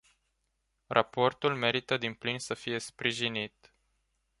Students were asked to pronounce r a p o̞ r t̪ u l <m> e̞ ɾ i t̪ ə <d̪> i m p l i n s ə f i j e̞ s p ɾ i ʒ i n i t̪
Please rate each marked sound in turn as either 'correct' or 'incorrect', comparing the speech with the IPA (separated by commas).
correct, correct